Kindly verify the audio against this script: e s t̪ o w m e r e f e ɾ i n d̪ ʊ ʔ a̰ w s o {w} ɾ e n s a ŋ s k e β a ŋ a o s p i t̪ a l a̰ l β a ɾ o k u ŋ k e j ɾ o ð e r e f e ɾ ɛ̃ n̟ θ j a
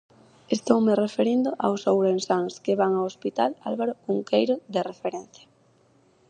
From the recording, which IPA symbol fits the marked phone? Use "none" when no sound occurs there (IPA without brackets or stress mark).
w